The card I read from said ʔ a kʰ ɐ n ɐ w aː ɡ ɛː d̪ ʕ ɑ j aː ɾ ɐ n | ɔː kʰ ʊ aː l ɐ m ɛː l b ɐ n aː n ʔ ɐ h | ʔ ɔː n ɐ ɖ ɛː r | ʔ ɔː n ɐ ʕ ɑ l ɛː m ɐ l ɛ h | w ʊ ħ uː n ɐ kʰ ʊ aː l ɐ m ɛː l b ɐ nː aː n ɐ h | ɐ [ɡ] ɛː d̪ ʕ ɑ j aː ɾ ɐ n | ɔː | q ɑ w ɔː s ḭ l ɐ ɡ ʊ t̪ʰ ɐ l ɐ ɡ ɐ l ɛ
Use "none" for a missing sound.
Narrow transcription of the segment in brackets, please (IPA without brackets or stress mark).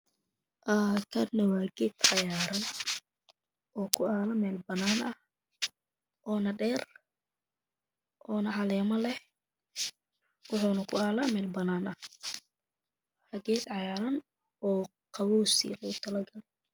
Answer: ɡ